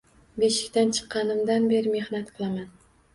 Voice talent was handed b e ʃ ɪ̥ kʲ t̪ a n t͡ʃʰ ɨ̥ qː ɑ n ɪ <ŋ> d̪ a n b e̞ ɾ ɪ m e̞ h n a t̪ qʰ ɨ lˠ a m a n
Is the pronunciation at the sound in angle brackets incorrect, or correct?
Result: incorrect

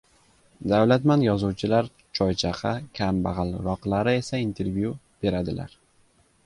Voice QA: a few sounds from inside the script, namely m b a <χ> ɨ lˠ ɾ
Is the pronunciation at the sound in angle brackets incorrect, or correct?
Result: incorrect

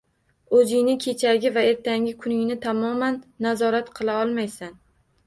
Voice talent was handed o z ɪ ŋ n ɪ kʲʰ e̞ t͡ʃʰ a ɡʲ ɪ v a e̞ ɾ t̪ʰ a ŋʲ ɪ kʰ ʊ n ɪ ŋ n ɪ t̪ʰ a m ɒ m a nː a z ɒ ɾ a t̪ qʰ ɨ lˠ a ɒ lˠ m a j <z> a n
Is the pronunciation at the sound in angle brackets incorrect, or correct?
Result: incorrect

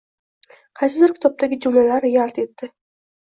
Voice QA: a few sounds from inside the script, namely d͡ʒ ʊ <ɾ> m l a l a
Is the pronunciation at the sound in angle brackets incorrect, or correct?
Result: incorrect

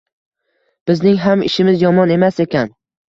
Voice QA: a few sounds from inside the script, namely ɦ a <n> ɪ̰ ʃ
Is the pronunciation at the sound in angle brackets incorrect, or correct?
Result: incorrect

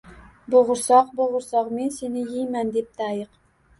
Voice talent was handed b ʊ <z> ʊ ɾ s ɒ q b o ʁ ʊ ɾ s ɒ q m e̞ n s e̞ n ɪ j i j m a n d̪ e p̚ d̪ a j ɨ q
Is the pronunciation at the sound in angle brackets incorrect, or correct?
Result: incorrect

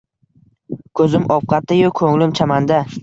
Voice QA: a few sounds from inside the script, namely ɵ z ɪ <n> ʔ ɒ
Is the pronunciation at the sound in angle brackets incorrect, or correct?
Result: incorrect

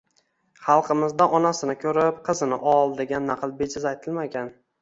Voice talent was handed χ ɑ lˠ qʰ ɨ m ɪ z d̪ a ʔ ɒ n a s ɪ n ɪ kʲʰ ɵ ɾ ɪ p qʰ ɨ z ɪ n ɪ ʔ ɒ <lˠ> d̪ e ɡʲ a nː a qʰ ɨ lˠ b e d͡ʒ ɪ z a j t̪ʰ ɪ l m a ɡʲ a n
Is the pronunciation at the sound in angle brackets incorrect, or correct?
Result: correct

